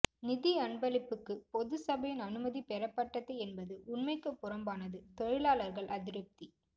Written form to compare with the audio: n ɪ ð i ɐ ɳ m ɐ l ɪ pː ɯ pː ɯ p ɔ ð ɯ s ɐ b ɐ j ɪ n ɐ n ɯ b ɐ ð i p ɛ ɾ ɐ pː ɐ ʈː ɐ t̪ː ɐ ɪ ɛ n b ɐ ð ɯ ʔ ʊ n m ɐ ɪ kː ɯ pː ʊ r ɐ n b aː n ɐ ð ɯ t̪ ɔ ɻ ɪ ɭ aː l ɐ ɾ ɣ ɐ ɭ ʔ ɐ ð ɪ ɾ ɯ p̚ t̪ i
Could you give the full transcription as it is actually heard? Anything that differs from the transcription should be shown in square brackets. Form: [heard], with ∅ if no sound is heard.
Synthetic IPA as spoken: n ɪ ð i ɐ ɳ [b] ɐ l ɪ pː ɯ [kː] ɯ p ɔ ð ɯ s ɐ b ɐ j ɪ n ɐ n ɯ [m] ɐ ð i p ɛ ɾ ɐ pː ɐ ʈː ɐ t̪ː ɐ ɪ ɛ n b ɐ ð ɯ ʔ ʊ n m ɐ ɪ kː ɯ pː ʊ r ɐ [m] b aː n ɐ ð ɯ t̪ ɔ ɻ ɪ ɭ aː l ɐ ɾ ɣ ɐ ɭ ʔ ɐ ð ɪ ɾ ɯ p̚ t̪ i